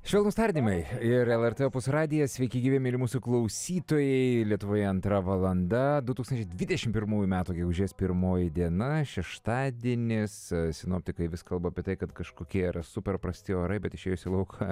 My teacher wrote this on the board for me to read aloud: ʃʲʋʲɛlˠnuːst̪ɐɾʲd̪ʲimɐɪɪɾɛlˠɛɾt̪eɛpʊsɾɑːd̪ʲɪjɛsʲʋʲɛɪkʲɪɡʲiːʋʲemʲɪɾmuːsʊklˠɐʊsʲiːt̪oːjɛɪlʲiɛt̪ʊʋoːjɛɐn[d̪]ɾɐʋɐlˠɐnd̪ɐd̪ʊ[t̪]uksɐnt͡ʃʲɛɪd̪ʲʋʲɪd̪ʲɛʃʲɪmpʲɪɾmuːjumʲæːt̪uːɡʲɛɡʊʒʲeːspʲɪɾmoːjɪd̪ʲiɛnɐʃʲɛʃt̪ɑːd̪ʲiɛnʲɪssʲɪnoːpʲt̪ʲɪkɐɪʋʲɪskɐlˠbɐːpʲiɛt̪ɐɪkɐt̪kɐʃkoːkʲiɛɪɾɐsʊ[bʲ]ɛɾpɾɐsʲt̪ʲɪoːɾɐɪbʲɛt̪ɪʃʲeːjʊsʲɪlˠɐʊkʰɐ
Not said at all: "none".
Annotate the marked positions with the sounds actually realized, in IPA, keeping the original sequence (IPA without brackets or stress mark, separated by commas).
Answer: t̪, t̪, pʲ